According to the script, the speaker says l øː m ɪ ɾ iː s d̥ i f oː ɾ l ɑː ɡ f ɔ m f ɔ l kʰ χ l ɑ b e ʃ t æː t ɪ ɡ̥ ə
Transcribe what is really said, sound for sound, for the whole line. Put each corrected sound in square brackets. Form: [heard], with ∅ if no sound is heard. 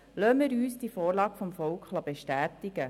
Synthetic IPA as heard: l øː m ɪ ɾ [yː] s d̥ i f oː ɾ l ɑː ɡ f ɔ m f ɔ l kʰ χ l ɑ b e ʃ t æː t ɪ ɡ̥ ə